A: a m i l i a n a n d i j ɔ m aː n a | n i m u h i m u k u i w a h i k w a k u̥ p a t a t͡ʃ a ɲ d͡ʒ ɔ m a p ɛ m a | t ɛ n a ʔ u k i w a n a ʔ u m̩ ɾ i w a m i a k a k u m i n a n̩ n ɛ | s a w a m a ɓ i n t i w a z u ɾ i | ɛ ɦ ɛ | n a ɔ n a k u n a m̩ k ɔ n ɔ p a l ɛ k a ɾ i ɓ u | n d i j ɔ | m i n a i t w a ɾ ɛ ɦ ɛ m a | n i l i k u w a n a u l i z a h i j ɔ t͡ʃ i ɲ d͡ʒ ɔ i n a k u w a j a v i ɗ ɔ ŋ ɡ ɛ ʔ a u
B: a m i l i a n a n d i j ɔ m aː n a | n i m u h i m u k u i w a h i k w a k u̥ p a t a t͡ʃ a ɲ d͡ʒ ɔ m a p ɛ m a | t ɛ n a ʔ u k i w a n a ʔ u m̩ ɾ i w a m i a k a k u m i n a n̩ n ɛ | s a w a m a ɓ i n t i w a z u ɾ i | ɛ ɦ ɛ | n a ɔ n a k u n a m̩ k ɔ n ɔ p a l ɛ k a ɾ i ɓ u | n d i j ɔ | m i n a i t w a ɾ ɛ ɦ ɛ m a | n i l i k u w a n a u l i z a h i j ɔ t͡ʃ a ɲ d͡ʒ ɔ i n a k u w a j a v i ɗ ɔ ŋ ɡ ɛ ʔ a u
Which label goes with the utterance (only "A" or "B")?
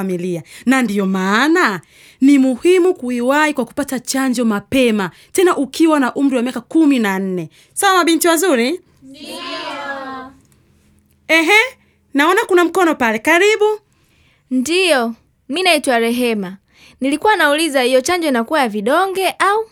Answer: B